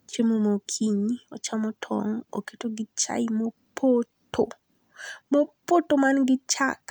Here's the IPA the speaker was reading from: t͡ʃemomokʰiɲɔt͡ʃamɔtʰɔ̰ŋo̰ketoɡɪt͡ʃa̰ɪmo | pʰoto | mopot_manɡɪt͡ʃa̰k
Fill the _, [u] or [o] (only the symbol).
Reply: o